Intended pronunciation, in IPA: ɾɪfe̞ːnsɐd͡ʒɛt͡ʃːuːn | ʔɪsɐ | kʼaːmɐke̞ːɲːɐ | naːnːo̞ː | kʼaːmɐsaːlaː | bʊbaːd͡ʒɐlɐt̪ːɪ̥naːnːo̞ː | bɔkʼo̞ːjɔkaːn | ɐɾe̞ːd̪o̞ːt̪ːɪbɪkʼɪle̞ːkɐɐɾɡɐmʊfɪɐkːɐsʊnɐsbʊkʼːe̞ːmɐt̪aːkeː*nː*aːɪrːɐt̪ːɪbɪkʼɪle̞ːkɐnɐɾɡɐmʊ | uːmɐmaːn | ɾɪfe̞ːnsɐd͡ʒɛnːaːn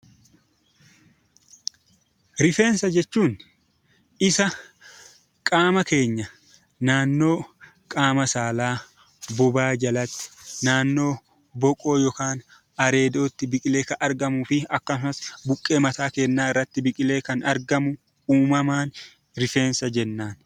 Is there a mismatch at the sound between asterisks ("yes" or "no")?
no